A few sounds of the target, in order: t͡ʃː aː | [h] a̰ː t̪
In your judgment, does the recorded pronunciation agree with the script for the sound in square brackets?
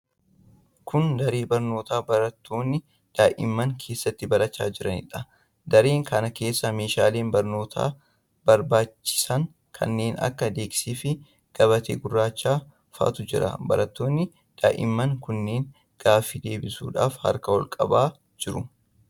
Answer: no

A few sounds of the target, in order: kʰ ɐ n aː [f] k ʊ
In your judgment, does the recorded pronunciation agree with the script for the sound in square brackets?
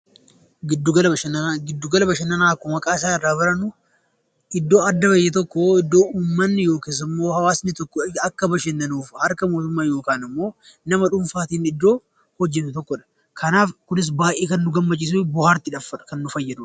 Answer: yes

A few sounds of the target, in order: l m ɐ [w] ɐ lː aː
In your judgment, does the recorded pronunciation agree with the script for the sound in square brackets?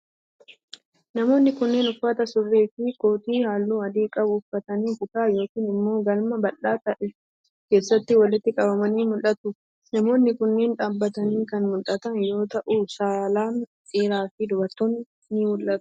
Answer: no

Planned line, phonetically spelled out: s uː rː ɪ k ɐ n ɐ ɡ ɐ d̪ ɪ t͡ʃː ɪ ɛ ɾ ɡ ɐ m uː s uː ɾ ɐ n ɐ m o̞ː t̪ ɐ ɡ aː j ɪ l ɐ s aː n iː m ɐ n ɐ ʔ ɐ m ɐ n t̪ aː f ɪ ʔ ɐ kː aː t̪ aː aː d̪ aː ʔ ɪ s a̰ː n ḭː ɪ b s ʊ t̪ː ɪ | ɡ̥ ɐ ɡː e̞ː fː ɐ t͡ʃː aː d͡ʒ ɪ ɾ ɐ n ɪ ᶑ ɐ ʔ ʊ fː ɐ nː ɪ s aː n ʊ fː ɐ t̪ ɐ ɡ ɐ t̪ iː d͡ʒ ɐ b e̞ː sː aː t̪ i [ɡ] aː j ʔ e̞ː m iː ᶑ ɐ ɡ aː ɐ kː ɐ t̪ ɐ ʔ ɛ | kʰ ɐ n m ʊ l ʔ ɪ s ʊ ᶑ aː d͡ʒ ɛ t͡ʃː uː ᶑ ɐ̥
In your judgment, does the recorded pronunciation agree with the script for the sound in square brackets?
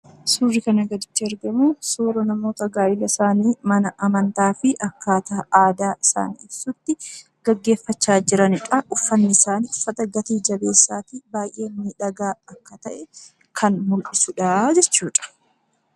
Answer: no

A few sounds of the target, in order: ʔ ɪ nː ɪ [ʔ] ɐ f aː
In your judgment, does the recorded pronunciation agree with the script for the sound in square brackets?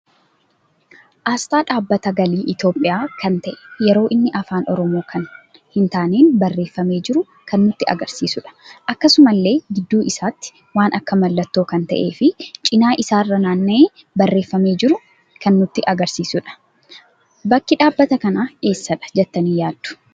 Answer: yes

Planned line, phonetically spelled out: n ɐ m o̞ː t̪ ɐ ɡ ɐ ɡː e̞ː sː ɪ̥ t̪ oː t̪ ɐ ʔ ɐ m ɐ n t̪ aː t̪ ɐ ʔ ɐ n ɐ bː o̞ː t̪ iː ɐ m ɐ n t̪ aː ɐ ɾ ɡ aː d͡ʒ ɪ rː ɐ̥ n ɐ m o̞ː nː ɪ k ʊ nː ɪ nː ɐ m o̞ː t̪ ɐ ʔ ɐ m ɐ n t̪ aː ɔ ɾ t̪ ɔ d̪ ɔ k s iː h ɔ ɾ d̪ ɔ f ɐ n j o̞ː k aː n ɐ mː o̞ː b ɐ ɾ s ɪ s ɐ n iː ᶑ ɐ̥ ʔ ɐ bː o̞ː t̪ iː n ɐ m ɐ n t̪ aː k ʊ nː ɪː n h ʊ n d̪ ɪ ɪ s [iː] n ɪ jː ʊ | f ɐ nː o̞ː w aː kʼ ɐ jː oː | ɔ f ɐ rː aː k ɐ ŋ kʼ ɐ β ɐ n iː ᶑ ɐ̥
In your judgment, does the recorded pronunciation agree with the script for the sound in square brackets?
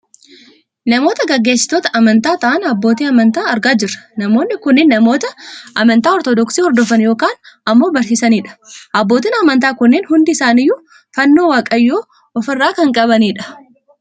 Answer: no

